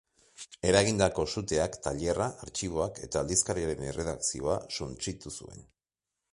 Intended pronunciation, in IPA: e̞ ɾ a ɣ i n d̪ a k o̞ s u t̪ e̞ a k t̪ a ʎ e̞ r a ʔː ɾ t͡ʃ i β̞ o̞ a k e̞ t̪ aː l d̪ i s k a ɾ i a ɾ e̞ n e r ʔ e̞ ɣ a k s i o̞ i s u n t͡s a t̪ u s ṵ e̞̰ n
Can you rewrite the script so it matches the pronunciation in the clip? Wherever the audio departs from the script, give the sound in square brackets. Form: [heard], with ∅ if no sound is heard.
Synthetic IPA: e̞ ɾ a ɣ i n d̪ a k o̞ s u t̪ e̞ a k t̪ a ʎ e̞ r a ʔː ɾ t͡ʃ i β̞ o̞ a k e̞ t̪ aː l d̪ i s k a ɾ i a ɾ e̞ n e r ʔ e̞ [ð] a k s i o̞ [a] s u n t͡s [i] t̪ u s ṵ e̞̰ n